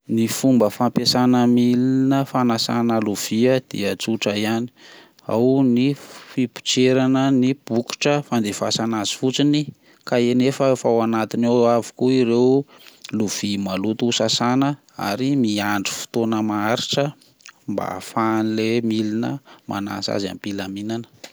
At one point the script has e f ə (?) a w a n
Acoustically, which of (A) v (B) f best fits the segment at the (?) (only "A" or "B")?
B